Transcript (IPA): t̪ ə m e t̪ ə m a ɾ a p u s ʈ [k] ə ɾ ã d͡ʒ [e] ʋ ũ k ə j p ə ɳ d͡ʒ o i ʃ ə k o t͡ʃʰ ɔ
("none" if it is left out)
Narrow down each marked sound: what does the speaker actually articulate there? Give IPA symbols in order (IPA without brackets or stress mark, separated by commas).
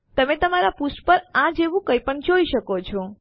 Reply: p, e